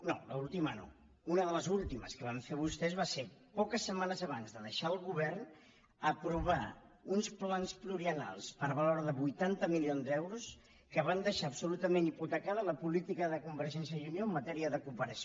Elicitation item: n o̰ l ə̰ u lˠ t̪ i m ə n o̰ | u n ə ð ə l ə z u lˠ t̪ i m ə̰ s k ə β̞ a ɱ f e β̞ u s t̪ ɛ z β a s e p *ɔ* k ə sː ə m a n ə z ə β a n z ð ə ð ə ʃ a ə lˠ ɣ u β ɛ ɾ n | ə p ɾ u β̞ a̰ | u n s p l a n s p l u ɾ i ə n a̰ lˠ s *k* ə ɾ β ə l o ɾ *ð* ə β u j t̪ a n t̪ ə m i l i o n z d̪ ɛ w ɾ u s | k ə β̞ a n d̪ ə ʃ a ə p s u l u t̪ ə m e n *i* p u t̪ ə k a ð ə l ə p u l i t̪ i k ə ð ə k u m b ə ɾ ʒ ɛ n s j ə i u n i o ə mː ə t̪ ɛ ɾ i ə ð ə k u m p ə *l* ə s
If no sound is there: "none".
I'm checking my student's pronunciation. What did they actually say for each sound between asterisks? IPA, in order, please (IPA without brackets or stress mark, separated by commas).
ɔ, p, ð, i, ɾ